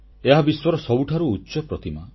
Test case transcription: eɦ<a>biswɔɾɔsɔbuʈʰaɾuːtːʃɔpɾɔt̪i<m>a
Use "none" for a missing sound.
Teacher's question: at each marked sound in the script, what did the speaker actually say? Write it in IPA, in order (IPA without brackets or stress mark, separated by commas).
a, m